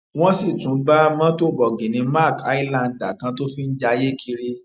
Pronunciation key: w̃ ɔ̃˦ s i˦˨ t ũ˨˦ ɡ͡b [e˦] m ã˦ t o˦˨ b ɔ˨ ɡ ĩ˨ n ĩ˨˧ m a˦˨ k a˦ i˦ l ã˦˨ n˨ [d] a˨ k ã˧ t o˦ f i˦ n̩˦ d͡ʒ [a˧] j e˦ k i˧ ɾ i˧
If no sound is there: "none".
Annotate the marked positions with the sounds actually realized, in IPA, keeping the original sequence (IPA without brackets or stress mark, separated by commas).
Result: a˦, d, a˧